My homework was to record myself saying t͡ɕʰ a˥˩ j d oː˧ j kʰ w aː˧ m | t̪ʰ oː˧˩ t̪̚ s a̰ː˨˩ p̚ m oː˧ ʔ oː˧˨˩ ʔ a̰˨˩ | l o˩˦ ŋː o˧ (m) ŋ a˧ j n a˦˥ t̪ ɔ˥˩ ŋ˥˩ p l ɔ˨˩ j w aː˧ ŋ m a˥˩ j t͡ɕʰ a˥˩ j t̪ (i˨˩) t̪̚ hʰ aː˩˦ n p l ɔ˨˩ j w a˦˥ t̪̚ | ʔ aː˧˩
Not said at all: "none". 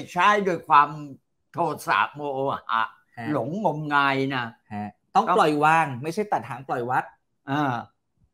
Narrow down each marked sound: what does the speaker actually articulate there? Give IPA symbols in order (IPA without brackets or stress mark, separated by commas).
m, a˨˩